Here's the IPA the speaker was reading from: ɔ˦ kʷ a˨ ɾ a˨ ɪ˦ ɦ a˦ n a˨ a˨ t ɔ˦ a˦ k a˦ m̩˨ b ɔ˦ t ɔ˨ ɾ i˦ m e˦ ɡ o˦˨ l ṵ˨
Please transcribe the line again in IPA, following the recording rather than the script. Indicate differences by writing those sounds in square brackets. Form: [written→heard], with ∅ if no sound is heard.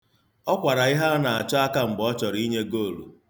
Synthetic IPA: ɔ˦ kʷ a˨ ɾ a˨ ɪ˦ ɦ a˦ n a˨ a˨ [t→t͡ʃ] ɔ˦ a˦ k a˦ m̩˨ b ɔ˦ [t→t͡ʃ] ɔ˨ ɾ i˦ [m→ɲ] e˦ ɡ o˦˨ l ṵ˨